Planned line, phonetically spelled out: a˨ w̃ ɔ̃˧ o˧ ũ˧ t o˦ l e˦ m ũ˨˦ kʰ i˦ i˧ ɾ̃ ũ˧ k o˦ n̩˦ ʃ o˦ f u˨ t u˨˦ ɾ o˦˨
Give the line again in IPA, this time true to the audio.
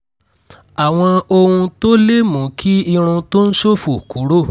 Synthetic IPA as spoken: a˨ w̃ ɔ̃˧ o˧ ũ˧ t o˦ l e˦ m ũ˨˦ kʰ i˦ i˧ ɾ̃ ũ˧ t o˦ n̩˦ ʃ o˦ f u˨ k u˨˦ ɾ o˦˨

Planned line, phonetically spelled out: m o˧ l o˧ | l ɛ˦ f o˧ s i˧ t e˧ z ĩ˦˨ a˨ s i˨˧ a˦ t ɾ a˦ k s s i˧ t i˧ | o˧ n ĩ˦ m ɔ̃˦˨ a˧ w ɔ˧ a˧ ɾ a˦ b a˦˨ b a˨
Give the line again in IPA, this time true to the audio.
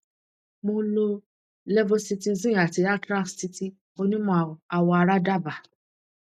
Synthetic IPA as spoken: m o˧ l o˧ | l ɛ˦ v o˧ s i˧ t i˧ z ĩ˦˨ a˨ t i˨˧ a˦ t ɾ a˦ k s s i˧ t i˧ | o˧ n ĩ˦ m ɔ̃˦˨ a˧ w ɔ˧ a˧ ɾ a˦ d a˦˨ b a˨

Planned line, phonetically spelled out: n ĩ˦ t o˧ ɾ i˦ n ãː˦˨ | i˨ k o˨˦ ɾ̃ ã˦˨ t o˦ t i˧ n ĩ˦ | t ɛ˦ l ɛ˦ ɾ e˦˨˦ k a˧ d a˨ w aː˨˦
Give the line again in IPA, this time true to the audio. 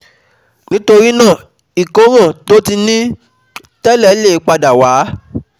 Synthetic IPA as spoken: n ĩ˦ t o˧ ɾ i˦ n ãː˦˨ | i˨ k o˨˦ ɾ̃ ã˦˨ t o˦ t i˧ n ĩ˦ | t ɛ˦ l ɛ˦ l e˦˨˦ k͡p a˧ d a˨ w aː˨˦

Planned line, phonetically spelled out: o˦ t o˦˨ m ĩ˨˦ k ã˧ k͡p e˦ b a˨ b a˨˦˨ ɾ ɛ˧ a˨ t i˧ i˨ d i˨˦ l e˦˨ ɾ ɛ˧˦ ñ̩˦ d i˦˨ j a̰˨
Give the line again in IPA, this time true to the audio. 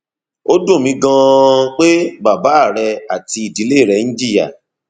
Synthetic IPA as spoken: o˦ d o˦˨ m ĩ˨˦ ɡ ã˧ k͡p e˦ b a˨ b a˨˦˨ ɾ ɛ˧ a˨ t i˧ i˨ d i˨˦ l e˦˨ ɾ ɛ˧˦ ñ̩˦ d͡ʒ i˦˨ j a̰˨

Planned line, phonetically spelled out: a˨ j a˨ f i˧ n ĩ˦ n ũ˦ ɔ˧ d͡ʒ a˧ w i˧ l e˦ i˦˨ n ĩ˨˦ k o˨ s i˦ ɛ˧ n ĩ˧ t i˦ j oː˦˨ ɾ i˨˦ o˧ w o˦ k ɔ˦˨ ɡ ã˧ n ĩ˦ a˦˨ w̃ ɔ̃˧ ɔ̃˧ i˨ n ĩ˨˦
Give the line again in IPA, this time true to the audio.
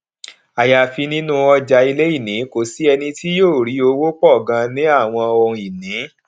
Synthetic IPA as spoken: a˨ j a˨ f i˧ n ĩ˦ n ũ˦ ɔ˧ d͡ʒ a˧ i˧ l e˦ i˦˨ n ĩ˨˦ k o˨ s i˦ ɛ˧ n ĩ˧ t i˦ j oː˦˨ ɾ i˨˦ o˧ w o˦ k͡p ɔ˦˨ ɡ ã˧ n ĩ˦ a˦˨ w̃ ɔ̃˧ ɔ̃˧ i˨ n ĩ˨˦

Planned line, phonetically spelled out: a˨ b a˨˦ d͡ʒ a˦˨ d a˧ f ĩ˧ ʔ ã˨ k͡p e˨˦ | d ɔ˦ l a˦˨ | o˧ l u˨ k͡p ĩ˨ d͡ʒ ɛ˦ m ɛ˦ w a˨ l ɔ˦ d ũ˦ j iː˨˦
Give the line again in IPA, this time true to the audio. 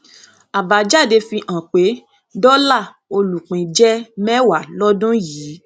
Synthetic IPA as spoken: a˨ b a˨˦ d͡ʒ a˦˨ d e˧ f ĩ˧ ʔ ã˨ k͡p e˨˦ | d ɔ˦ l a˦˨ | o˧ l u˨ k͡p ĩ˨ d͡ʒ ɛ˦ m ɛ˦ w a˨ l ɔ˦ d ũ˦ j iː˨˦

